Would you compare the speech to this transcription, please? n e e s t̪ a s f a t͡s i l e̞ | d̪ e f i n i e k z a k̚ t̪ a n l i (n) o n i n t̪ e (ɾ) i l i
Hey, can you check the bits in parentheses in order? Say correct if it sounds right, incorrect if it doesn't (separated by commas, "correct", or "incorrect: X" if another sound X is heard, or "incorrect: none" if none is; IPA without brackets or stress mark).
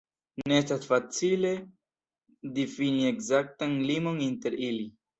incorrect: m, correct